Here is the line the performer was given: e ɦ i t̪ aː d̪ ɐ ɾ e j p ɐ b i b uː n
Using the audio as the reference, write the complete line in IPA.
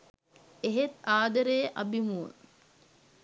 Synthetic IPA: e ɦ e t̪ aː d̪ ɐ ɾ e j ʔ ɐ b i m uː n